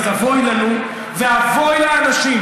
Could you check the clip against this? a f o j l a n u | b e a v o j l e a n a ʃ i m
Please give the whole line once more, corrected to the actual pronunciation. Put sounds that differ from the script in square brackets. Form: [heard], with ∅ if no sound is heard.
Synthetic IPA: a [v] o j l a n u | [v] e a v o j l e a n a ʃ i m